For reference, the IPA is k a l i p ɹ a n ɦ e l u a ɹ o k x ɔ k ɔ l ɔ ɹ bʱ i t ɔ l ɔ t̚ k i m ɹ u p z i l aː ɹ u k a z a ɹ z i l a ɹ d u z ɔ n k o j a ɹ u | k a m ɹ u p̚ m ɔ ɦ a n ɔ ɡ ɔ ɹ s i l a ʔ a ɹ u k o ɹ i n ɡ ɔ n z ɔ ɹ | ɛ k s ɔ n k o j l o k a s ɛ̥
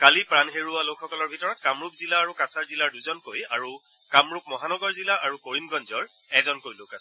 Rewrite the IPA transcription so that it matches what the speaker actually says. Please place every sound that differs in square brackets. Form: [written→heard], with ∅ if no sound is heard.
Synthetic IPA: k a l i p ɹ a n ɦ e [l→ɹ] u a [ɹ→l] o k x ɔ k ɔ l ɔ ɹ bʱ i t ɔ [l→ɹ] ɔ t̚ k [i→a] m ɹ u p z i l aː ɹ u k a [z→s] a ɹ z i l a ɹ d u z ɔ n k o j a ɹ u | k a m ɹ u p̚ m ɔ ɦ a n ɔ ɡ ɔ ɹ [s→z] i l a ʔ a ɹ u k o ɹ i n ɡ ɔ n z ɔ ɹ | ɛ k [s→z] ɔ n k o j l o k a s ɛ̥